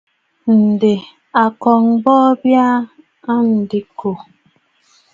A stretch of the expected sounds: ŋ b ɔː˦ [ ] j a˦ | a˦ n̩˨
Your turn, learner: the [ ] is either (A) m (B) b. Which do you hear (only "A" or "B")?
B